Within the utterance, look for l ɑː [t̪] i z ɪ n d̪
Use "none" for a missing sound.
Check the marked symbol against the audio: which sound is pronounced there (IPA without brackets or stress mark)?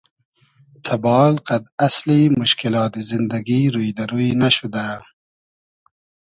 t̪